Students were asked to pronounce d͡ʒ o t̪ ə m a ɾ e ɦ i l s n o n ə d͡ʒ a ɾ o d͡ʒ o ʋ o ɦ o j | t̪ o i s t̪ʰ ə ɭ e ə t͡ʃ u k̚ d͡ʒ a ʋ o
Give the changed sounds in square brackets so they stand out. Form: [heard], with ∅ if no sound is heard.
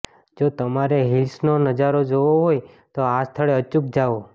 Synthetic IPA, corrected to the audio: d͡ʒ o t̪ ə m a ɾ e ɦ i l s n o n ə d͡ʒ a ɾ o d͡ʒ o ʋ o ɦ o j | t̪ o [a] s t̪ʰ ə ɭ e ə t͡ʃ u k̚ d͡ʒ a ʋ o